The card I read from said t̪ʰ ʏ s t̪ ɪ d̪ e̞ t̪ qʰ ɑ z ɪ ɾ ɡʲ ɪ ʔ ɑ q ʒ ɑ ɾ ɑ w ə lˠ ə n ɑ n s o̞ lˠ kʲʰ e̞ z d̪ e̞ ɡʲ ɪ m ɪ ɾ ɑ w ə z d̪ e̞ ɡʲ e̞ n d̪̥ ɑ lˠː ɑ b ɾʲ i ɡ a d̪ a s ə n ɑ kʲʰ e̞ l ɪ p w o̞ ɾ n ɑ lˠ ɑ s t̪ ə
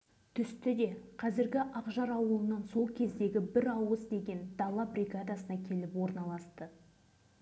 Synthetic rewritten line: t̪ʰ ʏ s t̪ ɪ d̪ e̞ qʰ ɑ z ɪ ɾ ɡʲ ɪ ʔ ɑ q ʒ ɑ ɾ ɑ w ə lˠ ə n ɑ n s o̞ lˠ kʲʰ e̞ z d̪ e̞ ɡʲ ɪ b ɪ ɾ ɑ w ə z d̪ e̞ ɡʲ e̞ n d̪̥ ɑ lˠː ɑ b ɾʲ i ɡ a d̪ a s ə n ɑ kʲʰ e̞ l ɪ p w o̞ ɾ n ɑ lˠ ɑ s t̪ ə